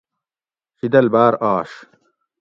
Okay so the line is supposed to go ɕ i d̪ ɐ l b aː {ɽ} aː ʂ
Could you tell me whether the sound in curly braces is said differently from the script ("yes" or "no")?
yes